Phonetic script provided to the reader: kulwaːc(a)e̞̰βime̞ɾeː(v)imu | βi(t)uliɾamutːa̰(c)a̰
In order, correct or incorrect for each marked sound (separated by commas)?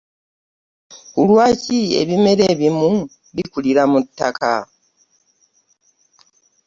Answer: incorrect, incorrect, incorrect, incorrect